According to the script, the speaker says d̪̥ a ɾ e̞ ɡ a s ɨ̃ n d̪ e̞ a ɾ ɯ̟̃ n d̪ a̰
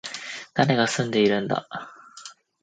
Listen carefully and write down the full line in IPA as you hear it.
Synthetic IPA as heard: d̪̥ a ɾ e̞ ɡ a s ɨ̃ n d̪ e̞ i ɾ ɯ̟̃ n d̪ a̰